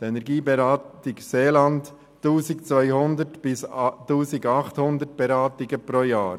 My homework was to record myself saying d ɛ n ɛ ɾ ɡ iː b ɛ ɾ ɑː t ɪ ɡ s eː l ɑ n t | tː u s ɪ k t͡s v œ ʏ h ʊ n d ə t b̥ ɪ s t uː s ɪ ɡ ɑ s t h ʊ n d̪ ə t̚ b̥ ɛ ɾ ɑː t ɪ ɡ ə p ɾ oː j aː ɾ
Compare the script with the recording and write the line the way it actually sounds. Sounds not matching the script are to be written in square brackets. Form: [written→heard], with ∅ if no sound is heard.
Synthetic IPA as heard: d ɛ n ɛ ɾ ɡ iː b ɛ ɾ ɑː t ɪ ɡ s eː l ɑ n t | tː [u→uː] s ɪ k t͡s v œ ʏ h ʊ n d ə t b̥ ɪ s t uː s ɪ ɡ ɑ [s→χ] t h ʊ n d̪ ə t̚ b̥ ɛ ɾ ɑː t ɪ ɡ ə p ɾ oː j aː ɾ